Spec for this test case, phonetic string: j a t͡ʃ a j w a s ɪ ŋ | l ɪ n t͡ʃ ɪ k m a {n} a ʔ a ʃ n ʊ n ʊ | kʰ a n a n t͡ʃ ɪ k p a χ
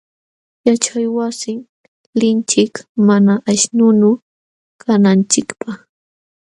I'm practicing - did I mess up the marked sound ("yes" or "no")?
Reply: no